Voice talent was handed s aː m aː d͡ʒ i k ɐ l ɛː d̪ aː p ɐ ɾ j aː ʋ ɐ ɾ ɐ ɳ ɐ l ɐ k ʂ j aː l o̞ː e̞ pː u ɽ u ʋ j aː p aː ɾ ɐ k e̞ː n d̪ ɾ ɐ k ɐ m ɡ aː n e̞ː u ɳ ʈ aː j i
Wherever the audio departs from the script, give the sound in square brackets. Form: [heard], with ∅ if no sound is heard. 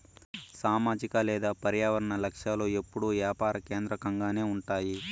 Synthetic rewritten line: s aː m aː d͡ʒ i k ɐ l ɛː d̪ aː p ɐ ɾ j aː ʋ ɐ ɾ ɐ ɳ ɐ l ɐ k ʂ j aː l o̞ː e̞ pː u ɽ u ʋ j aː p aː ɾ ɐ k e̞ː n d̪ ɾ ɐ k ɐ [ŋ] ɡ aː n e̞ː u ɳ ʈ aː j i